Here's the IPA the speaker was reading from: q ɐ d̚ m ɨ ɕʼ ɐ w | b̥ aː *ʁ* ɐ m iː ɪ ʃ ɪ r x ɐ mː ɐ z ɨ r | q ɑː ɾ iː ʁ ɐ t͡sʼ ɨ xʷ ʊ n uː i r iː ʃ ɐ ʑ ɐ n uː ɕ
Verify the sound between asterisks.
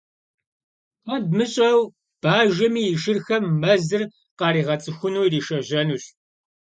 incorrect: ʒ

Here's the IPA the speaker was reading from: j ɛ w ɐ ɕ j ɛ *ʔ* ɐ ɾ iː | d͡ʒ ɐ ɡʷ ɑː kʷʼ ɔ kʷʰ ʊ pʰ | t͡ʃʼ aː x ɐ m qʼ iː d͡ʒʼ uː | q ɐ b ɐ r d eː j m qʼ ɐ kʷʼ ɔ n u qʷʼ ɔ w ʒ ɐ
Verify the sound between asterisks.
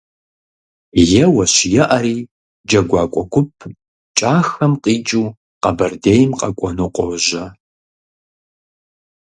correct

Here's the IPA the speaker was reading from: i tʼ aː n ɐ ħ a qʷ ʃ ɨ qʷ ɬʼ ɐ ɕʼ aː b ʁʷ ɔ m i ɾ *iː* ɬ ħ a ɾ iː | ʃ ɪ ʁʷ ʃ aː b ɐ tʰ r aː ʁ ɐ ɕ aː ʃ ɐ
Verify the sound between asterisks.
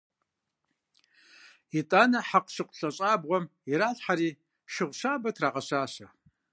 incorrect: aː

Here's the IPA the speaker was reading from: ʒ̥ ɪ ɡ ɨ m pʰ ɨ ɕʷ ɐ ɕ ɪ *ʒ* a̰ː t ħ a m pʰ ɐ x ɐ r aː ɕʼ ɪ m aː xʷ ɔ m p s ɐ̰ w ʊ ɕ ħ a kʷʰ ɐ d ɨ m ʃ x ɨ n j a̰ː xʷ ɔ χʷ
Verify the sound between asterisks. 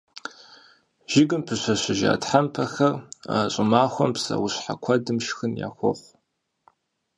correct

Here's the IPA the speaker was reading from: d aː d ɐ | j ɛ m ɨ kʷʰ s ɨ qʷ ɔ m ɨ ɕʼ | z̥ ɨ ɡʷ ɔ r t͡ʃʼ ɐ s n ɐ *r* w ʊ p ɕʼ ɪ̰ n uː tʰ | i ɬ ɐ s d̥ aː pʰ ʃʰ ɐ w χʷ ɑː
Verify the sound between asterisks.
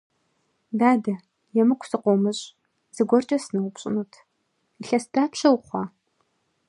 incorrect: none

